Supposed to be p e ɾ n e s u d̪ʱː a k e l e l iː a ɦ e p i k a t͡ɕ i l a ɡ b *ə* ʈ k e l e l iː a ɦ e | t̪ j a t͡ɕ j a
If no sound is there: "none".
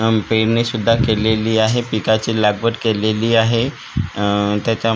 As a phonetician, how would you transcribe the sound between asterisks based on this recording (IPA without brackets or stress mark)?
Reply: ə